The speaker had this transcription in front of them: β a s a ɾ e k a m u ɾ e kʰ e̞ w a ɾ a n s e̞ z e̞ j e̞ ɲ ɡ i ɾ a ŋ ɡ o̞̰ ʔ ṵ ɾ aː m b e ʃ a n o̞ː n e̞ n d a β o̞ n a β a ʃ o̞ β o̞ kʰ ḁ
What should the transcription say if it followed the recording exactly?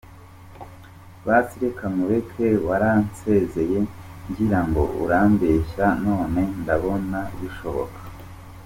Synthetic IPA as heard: β a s i ɾ e k a m u ɾ e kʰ e̞ w a ɾ a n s e̞ z e̞ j e̞ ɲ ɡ i ɾ a ŋ ɡ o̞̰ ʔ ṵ ɾ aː m b e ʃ a n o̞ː n e̞ n d a β o̞ n a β i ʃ o̞ β o̞ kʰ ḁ

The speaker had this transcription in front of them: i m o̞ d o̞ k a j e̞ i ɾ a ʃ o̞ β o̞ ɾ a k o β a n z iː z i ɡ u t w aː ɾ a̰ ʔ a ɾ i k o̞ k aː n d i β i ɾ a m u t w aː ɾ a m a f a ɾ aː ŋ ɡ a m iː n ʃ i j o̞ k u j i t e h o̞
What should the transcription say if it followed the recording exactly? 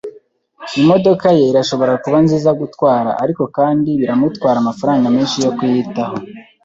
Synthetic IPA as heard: i m o̞ d o̞ k a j e̞ i ɾ a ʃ o̞ β o̞ ɾ a k u β a n z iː z a ɡ u t w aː ɾ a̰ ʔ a ɾ i k o̞ k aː n d i β i ɾ a m u t w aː ɾ a m a f a ɾ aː ŋ ɡ a m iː n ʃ i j o̞ k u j i t a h o̞

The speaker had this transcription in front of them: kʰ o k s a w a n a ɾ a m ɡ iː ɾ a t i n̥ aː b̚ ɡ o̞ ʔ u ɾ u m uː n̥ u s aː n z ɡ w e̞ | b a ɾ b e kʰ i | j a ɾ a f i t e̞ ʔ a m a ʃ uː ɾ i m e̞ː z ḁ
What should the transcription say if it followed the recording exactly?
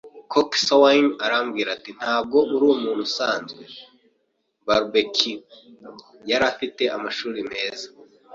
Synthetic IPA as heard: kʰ o k s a w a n a ɾ a m ɡ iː ɾ a t i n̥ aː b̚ ɡ o̞ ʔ u ɾ u m uː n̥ u s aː n z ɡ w e̞ | b a ɾ b e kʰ i | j a ɾ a f i t e̞ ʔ a m a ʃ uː ɾ i m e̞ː z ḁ

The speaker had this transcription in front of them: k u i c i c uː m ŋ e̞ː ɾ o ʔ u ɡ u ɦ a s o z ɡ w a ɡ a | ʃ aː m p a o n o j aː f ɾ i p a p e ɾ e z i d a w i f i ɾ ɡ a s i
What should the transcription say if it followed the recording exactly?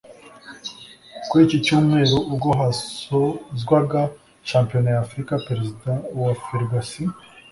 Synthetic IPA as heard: k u i c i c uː m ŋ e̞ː ɾ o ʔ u ɡ o ɦ a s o z ɡ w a ɡ a | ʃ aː m p i o n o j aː f ɾ i k a p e ɾ e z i d a w a f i ɾ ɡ a s i

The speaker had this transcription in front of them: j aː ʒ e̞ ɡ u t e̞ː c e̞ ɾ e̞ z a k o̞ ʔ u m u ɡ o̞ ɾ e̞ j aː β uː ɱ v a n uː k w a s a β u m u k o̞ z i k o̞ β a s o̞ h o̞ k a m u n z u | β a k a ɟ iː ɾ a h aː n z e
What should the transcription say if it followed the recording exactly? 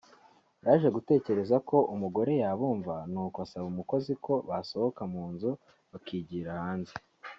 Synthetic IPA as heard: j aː ʒ e̞ ɡ u t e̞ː c e̞ ɾ e̞ z a k o̞ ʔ u m u ɡ o̞ ɾ e̞ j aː β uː ɱ v a n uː k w a s a β u m u k o̞ z i k o̞ β a s o̞ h o̞ k a m uː n z u | β a k i ɟ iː ɾ a h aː n z e

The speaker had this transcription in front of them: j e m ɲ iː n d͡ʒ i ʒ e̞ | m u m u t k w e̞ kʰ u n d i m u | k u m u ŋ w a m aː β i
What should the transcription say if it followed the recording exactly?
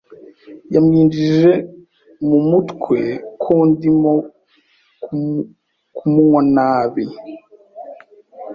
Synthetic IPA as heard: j a m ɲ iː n d͡ʒ i ʒ e̞ | m u m u t k w e̞ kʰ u n d i m o | k u m u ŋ w a n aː β i

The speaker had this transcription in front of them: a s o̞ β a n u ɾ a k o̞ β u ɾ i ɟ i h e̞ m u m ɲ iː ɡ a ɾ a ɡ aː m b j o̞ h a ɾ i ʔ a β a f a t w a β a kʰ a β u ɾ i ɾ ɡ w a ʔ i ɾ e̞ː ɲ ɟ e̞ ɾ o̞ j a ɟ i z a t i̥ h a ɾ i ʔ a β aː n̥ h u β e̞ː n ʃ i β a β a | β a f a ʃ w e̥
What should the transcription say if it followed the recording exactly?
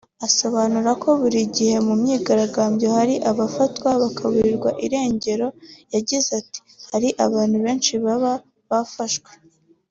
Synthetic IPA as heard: a s o̞ β a n u ɾ a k o̞ β u ɾ i ɟ i h e̞ m u m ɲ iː ɡ a ɾ a ɡ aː m b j o̞ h a ɾ i ʔ a β a f a t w a β a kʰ a β u ɾ i ɾ ɡ w a ʔ i ɾ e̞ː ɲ ɟ e̞ ɾ o̞ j a ɟ i z a t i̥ h a ɾ i ʔ a β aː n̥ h u β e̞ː n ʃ i β a β a | β a f a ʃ w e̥

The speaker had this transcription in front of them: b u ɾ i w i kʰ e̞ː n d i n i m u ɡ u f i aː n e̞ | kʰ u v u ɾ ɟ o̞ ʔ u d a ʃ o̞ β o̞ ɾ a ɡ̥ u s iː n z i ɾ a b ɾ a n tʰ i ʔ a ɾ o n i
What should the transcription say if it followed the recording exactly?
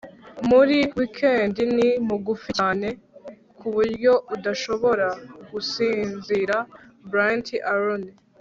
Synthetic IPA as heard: m u ɾ i w i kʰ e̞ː n d i n i m u ɡ u f i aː n e̞ | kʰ u β u ɾ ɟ o̞ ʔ u d a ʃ o̞ β o̞ ɾ a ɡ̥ u s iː n z i ɾ a b ɾ a n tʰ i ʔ a ɾ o n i

